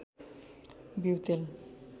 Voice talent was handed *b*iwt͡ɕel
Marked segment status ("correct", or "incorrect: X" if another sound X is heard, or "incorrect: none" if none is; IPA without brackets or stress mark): correct